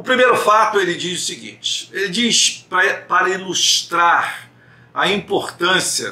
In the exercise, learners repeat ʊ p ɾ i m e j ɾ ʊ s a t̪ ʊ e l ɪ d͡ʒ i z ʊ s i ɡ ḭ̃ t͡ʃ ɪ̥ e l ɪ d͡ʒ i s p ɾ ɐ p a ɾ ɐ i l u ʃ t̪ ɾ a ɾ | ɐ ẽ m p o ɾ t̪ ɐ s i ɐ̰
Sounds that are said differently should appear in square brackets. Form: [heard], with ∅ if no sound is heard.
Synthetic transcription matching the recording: ʊ p ɾ i m e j ɾ ʊ [f] a t̪ ʊ e l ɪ d͡ʒ i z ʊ s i ɡ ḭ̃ t͡ʃ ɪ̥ e l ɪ d͡ʒ i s p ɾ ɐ p a ɾ ɐ i l u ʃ t̪ ɾ a ɾ | ɐ [ĩ] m p o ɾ t̪ [ɐ̃] s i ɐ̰